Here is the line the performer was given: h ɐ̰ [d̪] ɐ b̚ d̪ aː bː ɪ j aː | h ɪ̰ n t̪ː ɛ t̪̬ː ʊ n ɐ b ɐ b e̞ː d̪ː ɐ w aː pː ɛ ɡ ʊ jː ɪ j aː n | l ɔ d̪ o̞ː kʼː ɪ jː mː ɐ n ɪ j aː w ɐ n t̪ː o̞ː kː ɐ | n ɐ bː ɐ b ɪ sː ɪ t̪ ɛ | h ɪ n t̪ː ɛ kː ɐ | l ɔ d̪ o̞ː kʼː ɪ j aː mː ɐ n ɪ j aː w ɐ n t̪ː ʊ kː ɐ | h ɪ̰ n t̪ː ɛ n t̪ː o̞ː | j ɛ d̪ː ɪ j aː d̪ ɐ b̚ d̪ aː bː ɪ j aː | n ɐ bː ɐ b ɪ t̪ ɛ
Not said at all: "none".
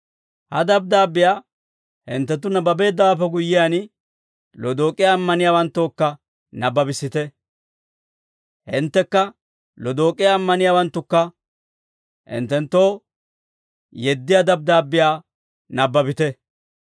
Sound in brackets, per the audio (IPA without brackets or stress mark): d̪